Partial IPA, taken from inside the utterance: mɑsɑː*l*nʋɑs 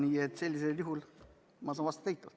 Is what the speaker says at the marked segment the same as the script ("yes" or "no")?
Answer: no